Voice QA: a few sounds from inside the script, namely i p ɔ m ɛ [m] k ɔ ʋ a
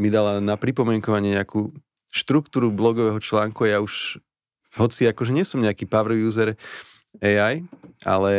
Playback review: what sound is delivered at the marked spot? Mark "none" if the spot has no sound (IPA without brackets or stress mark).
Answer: ŋ